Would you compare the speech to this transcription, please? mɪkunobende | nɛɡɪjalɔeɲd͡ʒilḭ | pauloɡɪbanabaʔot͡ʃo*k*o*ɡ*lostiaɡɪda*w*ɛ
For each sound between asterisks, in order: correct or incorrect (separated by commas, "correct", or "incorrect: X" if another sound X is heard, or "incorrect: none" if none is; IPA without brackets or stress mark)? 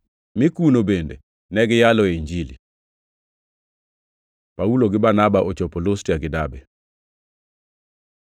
incorrect: p, incorrect: none, incorrect: b